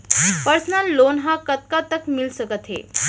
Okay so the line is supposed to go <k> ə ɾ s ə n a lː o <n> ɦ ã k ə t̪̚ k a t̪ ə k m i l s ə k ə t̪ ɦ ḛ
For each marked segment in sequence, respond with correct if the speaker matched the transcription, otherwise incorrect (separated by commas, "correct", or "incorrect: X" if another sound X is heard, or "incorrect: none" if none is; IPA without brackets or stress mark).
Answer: incorrect: p, correct